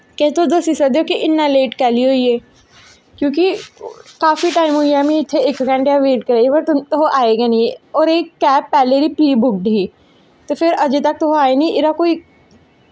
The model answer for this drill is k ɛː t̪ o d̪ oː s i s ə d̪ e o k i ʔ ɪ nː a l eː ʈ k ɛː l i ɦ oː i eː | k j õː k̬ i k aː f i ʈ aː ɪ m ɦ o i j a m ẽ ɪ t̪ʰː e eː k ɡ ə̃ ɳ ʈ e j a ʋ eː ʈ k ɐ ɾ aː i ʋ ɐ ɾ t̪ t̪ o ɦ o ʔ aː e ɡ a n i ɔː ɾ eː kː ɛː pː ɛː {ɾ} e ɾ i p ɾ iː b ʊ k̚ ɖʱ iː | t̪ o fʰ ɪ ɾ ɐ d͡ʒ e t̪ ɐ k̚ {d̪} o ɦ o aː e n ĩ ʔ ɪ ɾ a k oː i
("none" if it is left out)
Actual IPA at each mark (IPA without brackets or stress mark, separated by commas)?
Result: l, t̪